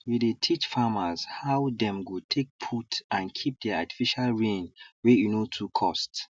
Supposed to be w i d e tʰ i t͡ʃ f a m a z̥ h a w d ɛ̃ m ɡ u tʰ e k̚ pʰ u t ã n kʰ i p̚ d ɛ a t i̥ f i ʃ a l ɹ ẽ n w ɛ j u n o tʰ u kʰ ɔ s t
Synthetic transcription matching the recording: w i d e tʰ i t͡ʃ f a m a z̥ h a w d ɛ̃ m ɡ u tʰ e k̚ pʰ u t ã n kʰ i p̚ d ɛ a t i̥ f i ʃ a l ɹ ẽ n w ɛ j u n o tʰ u kʰ ɔ s t